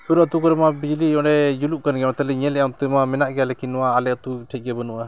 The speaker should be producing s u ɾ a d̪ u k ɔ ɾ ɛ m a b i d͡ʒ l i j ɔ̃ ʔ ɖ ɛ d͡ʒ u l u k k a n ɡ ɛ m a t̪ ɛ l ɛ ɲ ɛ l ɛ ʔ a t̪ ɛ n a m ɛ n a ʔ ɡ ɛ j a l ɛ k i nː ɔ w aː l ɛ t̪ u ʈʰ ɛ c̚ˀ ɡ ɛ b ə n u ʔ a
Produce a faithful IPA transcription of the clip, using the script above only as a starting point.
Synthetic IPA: s u ɾ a t̪ u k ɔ ɾ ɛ m a b i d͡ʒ l i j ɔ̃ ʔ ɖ ɛ d͡ʒ u l u ʔ k a n ɡ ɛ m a t̪ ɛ l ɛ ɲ ɛ l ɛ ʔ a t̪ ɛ m a m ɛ n a ʔ ɡ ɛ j a l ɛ k i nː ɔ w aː l ɛ t̪ u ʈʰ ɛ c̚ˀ ɡ ɛ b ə n u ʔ a